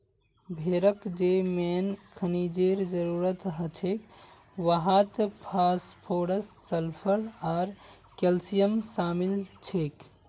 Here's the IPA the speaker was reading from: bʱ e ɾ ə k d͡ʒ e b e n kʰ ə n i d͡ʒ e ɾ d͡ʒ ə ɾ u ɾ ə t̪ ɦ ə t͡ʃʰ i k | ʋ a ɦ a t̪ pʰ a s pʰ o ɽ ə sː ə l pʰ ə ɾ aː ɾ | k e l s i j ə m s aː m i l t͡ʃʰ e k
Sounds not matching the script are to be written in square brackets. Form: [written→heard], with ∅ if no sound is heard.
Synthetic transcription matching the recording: bʱ e ɾ ə k d͡ʒ e [b→m] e n kʰ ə n i d͡ʒ e ɾ d͡ʒ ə ɾ u ɾ ə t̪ ɦ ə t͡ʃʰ [i→e] k | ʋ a ɦ a t̪ pʰ a s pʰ o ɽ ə sː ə l pʰ ə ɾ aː ɾ | k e l s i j ə m s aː m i l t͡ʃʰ e k